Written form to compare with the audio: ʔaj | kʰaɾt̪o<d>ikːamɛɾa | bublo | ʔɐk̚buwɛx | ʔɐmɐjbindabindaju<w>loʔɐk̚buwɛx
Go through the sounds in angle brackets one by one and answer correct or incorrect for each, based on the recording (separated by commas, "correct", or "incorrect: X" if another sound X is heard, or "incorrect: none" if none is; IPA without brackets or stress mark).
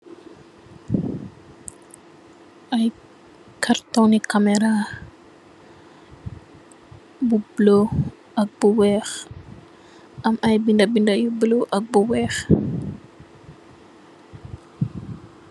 incorrect: n, incorrect: b